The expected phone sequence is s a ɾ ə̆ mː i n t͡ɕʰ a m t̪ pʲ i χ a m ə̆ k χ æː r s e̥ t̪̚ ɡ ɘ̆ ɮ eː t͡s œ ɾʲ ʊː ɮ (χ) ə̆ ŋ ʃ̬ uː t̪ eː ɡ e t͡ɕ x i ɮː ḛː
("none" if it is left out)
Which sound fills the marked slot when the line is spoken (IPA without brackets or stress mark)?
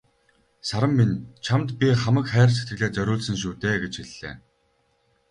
s